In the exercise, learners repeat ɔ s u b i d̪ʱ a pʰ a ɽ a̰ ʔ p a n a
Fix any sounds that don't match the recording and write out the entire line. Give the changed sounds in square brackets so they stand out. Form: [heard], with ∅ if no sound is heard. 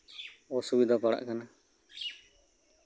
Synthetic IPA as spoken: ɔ s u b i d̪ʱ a [p] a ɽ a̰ ʔ [k] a n a